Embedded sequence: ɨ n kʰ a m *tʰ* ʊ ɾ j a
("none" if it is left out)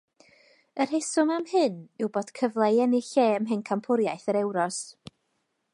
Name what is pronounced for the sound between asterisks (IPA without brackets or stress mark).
pʰ